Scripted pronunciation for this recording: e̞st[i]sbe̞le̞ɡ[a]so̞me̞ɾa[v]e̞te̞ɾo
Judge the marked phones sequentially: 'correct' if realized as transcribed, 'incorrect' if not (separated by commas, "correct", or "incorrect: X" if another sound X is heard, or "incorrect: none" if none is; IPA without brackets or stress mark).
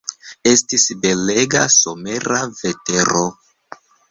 correct, correct, correct